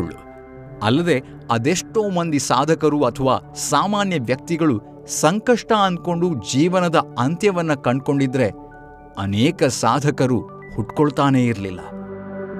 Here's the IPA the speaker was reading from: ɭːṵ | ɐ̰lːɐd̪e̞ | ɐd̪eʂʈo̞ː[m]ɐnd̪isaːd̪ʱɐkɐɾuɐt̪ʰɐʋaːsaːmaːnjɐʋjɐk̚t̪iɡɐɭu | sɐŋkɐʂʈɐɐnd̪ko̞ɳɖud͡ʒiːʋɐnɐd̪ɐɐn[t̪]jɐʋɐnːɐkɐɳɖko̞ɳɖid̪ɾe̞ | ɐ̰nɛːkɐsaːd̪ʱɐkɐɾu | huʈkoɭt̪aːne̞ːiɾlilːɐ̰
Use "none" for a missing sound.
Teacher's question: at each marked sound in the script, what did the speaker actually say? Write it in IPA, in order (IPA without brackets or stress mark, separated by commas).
m, t̪